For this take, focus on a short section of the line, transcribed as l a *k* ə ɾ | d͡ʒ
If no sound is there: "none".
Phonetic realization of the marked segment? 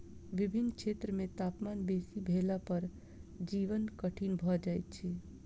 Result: p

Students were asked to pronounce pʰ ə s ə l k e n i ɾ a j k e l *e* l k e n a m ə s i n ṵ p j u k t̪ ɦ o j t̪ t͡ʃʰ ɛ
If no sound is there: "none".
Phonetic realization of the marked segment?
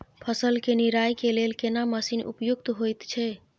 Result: e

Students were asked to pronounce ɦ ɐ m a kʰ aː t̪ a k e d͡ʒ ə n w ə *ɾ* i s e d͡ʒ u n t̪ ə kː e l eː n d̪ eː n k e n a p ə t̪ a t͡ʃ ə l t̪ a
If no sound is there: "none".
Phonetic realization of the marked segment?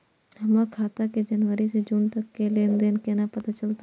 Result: ɾ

